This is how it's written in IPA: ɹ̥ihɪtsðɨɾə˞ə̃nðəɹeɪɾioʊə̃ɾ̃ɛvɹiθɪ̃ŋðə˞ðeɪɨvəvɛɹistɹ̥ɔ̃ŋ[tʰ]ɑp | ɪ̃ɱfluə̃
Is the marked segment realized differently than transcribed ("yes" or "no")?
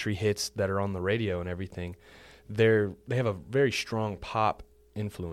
yes